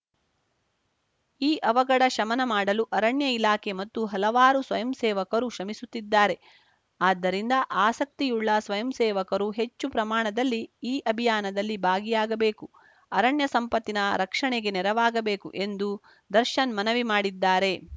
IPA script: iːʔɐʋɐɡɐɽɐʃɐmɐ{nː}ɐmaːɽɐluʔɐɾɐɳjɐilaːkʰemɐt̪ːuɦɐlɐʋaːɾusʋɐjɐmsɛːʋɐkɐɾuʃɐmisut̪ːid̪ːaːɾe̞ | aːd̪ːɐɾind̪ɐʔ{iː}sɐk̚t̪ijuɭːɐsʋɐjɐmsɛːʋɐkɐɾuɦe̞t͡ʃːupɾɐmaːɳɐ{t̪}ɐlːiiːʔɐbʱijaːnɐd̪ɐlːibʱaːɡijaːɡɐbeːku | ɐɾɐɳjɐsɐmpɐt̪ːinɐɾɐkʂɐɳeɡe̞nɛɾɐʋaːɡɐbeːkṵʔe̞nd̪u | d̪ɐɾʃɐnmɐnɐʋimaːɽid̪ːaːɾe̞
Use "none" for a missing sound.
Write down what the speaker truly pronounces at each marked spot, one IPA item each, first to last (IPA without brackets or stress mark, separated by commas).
n, aː, d̪